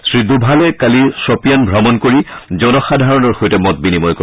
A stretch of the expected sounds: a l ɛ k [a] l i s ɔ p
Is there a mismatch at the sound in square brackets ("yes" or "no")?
no